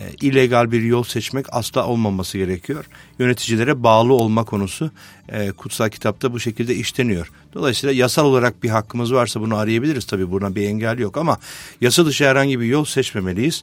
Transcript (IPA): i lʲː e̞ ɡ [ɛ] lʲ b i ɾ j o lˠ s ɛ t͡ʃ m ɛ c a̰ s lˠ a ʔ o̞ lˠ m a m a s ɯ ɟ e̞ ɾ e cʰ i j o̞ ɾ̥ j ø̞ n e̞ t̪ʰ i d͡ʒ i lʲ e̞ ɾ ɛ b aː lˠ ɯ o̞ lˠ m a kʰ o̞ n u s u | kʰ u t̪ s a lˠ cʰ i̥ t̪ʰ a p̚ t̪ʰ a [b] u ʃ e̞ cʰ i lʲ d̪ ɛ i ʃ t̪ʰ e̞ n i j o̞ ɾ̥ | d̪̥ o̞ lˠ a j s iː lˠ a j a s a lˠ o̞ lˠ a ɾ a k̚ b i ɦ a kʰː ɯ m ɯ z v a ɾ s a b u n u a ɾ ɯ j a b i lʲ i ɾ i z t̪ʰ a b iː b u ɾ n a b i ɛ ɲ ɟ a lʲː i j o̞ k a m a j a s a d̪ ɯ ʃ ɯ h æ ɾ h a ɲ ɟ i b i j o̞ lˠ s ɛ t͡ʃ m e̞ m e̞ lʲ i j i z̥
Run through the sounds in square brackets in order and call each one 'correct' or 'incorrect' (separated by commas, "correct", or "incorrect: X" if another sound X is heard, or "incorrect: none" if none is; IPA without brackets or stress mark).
incorrect: a, correct